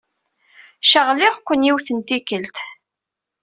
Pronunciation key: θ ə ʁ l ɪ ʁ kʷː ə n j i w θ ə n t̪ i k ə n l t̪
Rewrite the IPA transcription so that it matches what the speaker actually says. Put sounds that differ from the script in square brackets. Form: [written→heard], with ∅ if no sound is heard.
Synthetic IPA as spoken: [θ→ʃ] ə ʁ l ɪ ʁ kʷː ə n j i w θ ə n t̪ i k ə [n→∅] l t̪